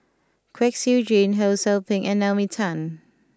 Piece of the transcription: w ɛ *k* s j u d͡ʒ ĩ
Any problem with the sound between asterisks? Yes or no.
no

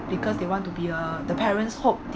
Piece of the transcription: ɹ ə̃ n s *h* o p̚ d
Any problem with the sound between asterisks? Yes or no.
no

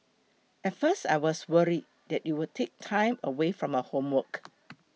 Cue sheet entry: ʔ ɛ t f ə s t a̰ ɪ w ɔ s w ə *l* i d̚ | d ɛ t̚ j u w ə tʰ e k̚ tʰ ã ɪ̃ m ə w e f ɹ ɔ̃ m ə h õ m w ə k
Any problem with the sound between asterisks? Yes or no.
yes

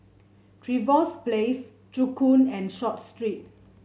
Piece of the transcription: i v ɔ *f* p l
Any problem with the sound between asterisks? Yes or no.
yes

